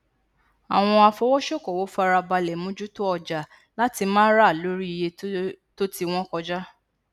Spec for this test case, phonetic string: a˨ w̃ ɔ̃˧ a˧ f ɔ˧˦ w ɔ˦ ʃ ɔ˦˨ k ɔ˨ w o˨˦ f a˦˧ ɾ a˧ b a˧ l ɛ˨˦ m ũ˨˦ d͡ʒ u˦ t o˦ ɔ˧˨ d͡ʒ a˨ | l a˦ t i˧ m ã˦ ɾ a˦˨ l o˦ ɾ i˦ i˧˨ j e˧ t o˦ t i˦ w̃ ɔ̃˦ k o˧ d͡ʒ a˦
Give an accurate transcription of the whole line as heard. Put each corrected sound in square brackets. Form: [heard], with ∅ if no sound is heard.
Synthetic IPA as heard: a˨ w̃ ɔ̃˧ a˧ f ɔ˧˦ w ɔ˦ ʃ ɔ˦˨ k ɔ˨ w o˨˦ f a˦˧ ɾ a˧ b a˧ l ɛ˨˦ m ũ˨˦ d͡ʒ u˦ t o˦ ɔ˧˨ d͡ʒ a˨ | l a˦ t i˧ m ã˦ ɾ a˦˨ l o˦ ɾ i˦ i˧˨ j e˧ t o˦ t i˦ w̃ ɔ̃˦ k [ɔ˧] d͡ʒ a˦